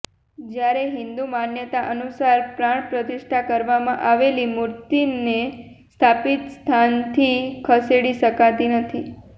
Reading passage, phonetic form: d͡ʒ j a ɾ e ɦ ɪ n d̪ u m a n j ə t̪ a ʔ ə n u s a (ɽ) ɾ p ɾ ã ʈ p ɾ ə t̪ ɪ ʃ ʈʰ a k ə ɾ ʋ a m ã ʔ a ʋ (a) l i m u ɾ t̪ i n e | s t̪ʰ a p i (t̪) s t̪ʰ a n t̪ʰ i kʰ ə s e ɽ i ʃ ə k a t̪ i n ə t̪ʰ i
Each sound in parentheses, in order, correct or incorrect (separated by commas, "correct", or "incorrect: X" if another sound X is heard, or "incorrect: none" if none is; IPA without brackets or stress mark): incorrect: none, incorrect: e, correct